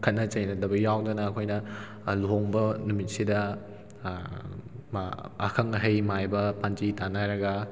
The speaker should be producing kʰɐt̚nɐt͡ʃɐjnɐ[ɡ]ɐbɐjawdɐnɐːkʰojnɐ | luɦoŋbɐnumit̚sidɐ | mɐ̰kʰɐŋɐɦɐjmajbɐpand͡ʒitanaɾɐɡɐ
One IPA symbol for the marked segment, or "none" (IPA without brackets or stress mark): d